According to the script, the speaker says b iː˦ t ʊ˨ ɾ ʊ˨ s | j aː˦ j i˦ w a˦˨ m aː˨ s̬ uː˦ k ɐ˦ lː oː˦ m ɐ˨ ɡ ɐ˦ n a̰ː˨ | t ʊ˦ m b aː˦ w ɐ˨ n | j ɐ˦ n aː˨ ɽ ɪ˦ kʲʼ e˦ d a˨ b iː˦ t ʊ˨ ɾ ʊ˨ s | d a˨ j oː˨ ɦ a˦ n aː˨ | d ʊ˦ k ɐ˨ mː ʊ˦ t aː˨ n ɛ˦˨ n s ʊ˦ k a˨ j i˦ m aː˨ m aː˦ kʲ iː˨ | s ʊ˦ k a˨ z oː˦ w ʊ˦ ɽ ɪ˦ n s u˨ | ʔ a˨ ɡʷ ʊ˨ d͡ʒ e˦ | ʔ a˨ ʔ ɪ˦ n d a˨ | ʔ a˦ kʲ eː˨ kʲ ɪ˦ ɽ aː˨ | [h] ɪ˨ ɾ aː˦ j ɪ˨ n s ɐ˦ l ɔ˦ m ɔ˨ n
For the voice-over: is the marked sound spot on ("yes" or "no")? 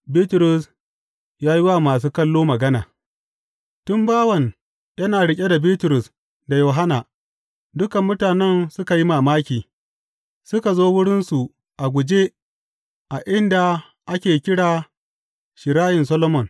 no